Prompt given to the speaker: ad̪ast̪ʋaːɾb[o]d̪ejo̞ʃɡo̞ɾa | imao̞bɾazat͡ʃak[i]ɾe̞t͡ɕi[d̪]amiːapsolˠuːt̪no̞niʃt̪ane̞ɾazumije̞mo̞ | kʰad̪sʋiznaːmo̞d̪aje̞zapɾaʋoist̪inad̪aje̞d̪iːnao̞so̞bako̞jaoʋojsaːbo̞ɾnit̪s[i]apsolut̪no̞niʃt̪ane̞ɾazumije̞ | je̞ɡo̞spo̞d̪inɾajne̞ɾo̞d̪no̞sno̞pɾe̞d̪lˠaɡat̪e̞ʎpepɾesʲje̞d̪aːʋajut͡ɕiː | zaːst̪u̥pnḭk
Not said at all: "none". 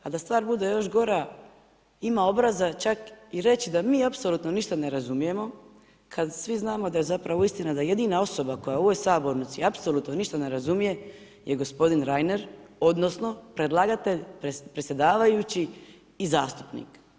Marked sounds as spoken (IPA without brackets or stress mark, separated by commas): u, i, d̪, i